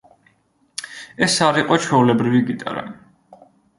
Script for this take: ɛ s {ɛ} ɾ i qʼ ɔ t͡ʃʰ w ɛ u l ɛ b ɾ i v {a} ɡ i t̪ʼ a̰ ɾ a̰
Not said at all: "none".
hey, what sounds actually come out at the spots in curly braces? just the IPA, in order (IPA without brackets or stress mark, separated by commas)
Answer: a, i